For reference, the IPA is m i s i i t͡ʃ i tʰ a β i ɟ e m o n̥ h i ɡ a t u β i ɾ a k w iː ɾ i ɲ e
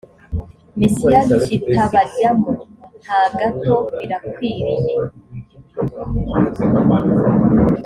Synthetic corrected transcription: m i s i a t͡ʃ i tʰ a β a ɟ a m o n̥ h a ɡ a t o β i ɾ a k w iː ɾ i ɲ e